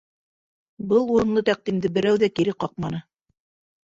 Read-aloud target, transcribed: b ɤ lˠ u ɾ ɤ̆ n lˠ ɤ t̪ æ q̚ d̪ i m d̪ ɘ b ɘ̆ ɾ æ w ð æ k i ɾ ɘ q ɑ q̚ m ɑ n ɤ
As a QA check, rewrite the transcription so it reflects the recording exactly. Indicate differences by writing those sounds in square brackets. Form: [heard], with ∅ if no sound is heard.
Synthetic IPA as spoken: b ɤ lˠ u ɾ ɤ̆ n lˠ ɤ t̪ æ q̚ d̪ i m d̪ ɘ b ɘ̆ ɾ æ w ð æ k i ɾ ɘ q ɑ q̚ m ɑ n ɤ